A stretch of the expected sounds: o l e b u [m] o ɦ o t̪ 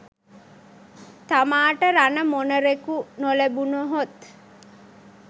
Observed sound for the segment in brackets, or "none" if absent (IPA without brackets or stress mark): n